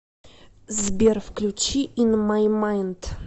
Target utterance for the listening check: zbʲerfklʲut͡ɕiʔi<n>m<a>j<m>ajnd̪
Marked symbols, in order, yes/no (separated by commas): yes, yes, yes